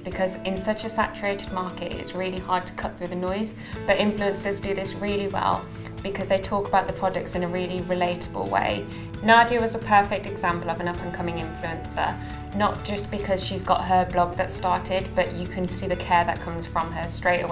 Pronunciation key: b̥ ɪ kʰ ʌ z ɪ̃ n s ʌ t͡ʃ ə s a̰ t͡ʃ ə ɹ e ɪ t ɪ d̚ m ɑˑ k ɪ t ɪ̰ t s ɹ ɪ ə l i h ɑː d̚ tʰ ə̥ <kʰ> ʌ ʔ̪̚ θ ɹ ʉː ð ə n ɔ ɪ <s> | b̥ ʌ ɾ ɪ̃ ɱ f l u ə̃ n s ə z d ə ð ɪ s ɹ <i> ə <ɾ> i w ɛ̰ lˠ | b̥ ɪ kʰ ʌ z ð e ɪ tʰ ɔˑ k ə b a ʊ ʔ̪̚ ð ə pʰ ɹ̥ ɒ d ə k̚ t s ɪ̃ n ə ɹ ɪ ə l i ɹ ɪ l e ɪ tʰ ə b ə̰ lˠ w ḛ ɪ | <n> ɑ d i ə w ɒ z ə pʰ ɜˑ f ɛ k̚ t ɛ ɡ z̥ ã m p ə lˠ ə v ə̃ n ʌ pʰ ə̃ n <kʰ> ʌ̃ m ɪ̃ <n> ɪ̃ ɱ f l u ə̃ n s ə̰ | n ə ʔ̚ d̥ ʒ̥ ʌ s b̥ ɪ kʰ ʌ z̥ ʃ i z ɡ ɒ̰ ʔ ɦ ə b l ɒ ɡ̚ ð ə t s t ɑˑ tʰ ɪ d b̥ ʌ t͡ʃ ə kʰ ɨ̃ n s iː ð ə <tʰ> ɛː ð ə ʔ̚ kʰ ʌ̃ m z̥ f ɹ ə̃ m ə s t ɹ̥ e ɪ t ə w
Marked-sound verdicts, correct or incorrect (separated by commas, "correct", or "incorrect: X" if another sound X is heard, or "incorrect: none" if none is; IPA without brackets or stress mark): correct, incorrect: z, incorrect: ɪ, incorrect: l, correct, correct, incorrect: ŋ, incorrect: kʰ